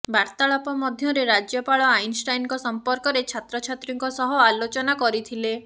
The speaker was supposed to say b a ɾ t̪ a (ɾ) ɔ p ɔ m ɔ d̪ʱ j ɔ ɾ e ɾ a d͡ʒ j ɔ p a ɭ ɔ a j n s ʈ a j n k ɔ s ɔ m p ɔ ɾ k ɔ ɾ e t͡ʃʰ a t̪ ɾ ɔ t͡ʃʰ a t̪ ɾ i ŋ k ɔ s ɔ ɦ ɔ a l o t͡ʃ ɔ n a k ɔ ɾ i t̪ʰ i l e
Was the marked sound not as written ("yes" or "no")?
yes